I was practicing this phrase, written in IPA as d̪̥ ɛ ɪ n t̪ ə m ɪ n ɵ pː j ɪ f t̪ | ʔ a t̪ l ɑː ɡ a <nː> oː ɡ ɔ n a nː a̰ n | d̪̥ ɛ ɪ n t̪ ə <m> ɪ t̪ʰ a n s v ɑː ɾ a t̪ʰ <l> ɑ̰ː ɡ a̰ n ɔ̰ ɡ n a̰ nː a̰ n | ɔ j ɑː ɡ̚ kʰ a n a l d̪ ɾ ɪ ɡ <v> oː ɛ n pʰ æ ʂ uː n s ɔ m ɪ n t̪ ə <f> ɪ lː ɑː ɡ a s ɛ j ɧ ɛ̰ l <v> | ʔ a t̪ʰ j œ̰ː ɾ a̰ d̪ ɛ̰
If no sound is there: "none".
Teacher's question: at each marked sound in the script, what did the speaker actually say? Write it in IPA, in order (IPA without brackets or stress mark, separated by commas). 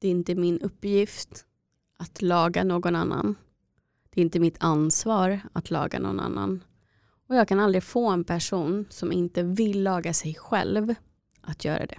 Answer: n, m, l, f, v, v